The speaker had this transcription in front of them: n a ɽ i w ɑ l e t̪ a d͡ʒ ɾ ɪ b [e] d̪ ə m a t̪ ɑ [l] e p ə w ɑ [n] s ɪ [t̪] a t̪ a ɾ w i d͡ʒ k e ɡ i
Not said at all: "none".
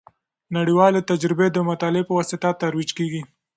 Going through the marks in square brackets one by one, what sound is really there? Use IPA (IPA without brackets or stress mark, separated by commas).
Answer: e, l, none, t̪